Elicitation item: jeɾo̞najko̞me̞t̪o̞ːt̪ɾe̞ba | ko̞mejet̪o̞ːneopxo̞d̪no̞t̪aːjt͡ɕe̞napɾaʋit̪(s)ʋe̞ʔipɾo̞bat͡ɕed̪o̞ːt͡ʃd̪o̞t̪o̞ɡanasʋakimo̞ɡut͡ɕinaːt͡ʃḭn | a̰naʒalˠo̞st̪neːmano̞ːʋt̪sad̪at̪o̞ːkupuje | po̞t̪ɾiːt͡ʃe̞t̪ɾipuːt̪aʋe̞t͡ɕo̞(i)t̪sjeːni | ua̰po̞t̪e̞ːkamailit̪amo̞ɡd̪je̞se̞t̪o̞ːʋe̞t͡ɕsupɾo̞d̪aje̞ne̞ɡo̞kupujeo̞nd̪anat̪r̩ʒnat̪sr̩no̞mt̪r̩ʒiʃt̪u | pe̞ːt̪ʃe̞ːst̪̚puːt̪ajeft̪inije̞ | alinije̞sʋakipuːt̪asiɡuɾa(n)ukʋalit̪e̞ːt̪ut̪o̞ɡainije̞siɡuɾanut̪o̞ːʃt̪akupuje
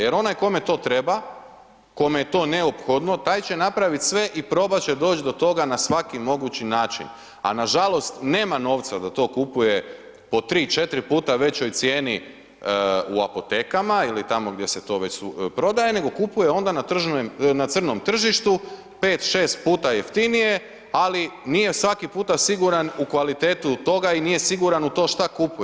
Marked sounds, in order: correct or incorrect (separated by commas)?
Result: correct, incorrect, correct